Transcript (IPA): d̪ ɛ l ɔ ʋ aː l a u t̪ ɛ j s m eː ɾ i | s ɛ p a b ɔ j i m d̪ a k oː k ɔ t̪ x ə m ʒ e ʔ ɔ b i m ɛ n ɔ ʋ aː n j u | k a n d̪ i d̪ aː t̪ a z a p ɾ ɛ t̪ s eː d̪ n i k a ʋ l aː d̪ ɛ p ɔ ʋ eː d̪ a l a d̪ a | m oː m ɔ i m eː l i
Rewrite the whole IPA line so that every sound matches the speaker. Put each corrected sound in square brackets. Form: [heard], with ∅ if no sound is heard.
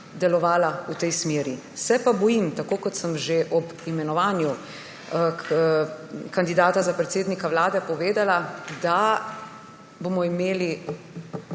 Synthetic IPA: d̪ ɛ l ɔ ʋ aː l a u t̪ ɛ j s m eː ɾ i | s ɛ p a b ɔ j i m [t̪] a k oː k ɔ t̪ [s] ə m ʒ e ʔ ɔ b i m ɛ n ɔ ʋ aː n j u | k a n d̪ i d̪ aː t̪ a z a p ɾ ɛ t̪ s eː d̪ n i k a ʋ l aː d̪ ɛ p ɔ ʋ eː d̪ a l a d̪ a | [b] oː m ɔ i m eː l i